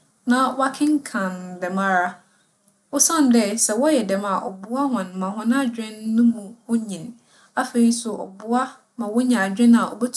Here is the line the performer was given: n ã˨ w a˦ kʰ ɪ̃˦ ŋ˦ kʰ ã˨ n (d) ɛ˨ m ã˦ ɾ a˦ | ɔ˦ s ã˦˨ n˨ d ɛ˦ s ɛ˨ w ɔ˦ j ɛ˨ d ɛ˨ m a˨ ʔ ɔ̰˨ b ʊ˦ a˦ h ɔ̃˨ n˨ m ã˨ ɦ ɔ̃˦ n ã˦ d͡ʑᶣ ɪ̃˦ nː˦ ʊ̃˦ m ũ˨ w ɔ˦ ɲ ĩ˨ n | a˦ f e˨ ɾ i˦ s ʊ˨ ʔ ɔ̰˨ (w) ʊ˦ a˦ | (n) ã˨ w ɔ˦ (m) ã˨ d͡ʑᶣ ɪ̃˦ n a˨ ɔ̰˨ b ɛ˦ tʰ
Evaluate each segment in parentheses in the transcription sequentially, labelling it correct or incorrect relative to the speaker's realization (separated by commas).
correct, incorrect, incorrect, incorrect